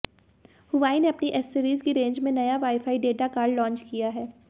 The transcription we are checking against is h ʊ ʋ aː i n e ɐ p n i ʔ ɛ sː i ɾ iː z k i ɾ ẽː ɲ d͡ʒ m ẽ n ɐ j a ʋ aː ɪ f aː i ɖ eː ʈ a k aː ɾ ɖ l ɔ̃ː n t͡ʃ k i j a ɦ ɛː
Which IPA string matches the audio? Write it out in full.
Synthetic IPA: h ʊ ʋ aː i n e ɐ p n i ʔ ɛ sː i ɾ iː z k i ɾ ẽː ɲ d͡ʒ m ẽ n ɐ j a ʋ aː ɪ f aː i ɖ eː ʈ a k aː ɾ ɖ l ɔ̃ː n t͡ʃ k i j a ɦ ɛː